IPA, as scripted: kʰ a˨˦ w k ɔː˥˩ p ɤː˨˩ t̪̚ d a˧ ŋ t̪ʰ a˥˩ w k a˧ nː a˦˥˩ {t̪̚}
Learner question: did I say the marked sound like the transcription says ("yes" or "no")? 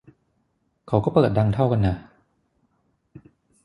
no